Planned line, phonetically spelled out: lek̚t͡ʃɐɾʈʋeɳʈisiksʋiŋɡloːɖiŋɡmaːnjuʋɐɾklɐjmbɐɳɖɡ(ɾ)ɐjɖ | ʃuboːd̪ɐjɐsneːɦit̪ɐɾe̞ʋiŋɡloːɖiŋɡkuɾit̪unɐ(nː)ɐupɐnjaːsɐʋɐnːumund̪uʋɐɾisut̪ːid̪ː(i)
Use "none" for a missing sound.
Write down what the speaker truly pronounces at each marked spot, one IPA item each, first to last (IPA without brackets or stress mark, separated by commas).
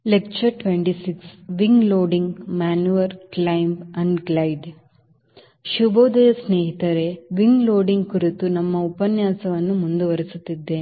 l, mː, e